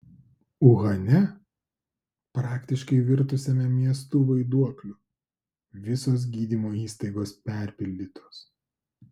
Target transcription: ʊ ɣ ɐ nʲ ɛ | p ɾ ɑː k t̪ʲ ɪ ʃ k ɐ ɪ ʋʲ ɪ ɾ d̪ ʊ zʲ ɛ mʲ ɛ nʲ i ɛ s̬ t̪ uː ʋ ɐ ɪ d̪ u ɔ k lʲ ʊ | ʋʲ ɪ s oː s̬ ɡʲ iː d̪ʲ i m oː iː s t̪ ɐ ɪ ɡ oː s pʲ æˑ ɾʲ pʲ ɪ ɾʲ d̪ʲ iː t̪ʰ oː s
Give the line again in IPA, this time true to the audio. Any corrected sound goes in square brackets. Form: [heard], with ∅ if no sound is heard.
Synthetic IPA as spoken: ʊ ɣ ɐ nʲ ɛ | p ɾ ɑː k t̪ʲ ɪ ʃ k ɐ ɪ ʋʲ ɪ ɾ [t̪] ʊ [sʲ] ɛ mʲ ɛ [mʲ] i ɛ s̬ t̪ uː ʋ ɐ ɪ d̪ u ɔ k lʲ ʊ | ʋʲ ɪ s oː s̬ ɡʲ iː d̪ʲ i m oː iː s t̪ ɐ ɪ ɡ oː s pʲ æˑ ɾʲ pʲ ɪ [lʲ] d̪ʲ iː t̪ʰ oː s